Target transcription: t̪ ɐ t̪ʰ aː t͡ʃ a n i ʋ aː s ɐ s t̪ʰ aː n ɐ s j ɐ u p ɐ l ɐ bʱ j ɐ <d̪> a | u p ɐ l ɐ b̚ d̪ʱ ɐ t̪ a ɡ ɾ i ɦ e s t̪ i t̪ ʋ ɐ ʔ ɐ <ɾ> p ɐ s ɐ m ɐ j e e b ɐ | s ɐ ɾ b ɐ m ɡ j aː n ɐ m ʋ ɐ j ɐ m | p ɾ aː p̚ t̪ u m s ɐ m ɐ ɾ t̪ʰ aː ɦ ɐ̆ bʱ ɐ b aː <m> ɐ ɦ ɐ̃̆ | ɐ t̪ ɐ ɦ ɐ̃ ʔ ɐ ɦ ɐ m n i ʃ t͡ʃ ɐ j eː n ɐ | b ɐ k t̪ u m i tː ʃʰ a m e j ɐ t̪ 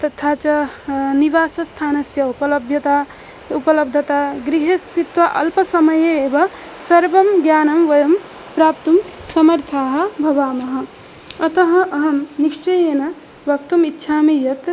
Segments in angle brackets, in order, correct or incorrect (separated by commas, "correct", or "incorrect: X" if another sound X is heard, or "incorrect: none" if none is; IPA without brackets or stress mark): incorrect: t̪, incorrect: l, correct